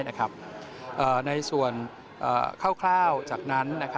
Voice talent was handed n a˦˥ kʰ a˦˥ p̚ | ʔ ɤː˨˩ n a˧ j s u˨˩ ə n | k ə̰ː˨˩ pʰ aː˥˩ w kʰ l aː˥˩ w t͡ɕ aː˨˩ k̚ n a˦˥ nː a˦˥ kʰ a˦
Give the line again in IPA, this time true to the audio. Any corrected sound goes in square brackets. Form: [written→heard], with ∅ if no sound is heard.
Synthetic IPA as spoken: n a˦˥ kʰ a˦˥ p̚ | ʔ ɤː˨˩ n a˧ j s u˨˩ ə n | [k→ʔ] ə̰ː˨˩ [pʰ→kʰ] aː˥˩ w kʰ l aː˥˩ w t͡ɕ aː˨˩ k̚ n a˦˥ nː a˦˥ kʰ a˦